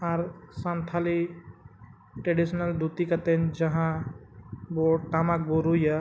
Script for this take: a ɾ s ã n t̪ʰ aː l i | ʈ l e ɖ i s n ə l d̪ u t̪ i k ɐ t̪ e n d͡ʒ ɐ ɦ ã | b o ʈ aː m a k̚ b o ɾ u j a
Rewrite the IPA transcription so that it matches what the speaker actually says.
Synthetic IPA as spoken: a ɾ s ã n t̪ʰ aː l i | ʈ ɾ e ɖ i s n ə l d̪ u t̪ i k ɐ t̪ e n d͡ʒ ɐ ɦ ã | b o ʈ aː m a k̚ b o ɾ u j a